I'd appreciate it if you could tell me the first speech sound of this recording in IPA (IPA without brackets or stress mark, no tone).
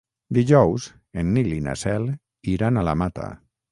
d̪